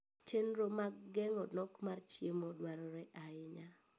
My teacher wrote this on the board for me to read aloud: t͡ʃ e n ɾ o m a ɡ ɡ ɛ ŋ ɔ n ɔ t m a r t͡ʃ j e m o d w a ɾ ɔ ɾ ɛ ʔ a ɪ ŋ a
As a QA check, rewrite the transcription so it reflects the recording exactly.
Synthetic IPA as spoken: t͡ʃ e n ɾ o m a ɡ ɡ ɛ ŋ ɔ n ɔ k m a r t͡ʃ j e m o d w a ɾ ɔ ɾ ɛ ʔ a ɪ ɲ a

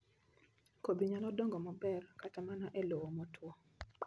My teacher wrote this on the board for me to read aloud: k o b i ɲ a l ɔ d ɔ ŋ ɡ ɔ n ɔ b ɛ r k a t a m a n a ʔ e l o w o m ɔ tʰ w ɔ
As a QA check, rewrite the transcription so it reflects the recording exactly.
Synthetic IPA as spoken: k o b i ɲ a l ɔ d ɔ ŋ ɡ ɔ m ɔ b ɛ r k a t a m a n a ʔ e l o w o m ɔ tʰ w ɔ

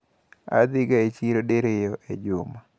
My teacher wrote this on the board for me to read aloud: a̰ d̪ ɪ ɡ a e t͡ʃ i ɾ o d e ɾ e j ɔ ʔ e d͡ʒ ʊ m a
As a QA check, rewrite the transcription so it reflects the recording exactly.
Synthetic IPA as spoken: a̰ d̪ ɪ ɡ a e t͡ʃ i ɾ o d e ɾ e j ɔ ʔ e d͡ʒ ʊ m a

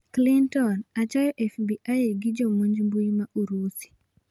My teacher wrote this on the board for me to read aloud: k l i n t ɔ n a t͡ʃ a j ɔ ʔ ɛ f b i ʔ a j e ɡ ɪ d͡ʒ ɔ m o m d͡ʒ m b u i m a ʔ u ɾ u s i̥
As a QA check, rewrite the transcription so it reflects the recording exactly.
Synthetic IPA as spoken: k l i n t ɔ n a t͡ʃ a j ɔ ʔ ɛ f b i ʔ a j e ɡ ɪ d͡ʒ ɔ m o ɲ d͡ʒ m b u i m a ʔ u ɾ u s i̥

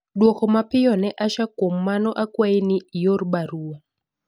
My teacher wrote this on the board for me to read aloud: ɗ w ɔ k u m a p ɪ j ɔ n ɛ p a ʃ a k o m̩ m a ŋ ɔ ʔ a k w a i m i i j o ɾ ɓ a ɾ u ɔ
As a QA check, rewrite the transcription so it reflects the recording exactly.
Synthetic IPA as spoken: ɗ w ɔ k ɔ m a p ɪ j ɔ n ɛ ʔ a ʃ a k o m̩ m a n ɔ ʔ a k w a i n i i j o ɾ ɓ a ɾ u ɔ

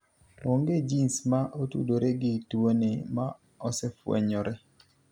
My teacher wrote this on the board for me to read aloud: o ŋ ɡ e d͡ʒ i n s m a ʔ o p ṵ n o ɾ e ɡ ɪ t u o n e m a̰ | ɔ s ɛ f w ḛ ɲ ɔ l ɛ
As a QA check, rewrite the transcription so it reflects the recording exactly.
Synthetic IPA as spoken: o ŋ ɡ e d͡ʒ i n s m a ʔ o t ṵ d o ɾ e ɡ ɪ t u o n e m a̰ | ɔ s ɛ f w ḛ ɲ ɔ ɾ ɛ

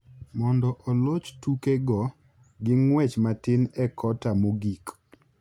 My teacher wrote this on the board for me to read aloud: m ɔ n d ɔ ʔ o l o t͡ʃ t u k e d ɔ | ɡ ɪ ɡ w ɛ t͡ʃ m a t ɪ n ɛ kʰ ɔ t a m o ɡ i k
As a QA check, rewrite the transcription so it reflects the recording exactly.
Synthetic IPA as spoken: m ɔ n d ɔ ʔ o l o t͡ʃ t u k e ɡ ɔ | ɡ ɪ ŋ w ɛ t͡ʃ m a t ɪ n ɛ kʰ ɔ t a m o ɡ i k

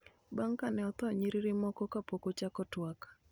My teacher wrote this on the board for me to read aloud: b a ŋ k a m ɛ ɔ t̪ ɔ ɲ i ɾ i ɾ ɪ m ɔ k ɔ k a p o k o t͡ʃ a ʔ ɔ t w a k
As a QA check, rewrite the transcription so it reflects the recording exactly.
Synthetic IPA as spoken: b a ŋ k a n ɛ ɔ t̪ ɔ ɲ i ɾ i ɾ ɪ m ɔ k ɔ k a p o k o t͡ʃ a k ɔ t w a k

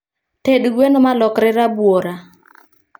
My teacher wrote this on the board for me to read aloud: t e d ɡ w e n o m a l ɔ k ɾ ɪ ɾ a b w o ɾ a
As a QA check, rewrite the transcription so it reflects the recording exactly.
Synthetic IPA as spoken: t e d ɡ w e n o m a l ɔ k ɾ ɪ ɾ a b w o ɾ a

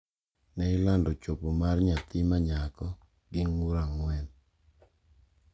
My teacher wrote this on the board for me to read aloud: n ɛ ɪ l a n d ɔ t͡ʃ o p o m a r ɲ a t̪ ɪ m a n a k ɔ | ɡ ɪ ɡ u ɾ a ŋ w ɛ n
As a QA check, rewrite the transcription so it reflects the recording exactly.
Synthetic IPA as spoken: n ɛ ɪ l a n d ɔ t͡ʃ o p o m a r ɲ a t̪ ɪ m a ɲ a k ɔ | ɡ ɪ ŋ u ɾ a ŋ w ɛ n

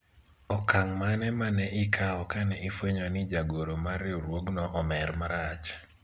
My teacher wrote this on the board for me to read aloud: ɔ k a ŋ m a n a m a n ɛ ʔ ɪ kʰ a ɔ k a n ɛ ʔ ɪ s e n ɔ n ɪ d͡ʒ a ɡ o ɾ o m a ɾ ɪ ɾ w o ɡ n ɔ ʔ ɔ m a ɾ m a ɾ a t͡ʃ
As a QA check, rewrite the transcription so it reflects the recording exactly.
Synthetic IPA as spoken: ɔ k a ŋ m a n ɛ m a n ɛ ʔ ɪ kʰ a ɔ k a n ɛ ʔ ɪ f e ɲ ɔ n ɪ d͡ʒ a ɡ o ɾ o m a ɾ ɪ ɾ w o ɡ n ɔ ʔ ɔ m ɛ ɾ m a ɾ a t͡ʃ

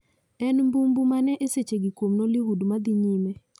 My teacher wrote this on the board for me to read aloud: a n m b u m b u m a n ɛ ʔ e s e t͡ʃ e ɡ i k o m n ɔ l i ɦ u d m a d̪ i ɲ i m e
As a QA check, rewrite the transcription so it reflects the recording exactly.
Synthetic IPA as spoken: ɛ n m b u m b u m a n ɛ ʔ e s e t͡ʃ e ɡ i k o m n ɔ l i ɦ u d m a d̪ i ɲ i m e

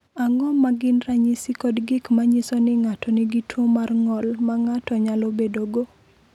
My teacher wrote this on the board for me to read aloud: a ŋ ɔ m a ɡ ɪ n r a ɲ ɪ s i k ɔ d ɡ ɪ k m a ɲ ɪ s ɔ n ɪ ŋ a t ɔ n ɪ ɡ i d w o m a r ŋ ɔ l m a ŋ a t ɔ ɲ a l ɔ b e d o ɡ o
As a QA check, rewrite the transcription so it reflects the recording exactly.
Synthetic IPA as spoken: a ŋ ɔ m a ɡ ɪ n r a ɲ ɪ s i k ɔ d ɡ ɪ k m a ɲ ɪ s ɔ n ɪ ŋ a t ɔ n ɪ ɡ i t w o m a r ŋ ɔ l m a ŋ a t ɔ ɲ a l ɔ b e d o ɡ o

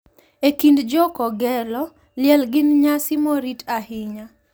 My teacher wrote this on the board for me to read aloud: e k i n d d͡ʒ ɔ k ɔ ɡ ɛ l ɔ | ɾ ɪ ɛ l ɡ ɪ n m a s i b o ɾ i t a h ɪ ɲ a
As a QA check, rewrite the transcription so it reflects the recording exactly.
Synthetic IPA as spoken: e k i n d d͡ʒ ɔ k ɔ ɡ ɛ l ɔ | l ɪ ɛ l ɡ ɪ n ɲ a s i m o ɾ i t a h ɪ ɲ a

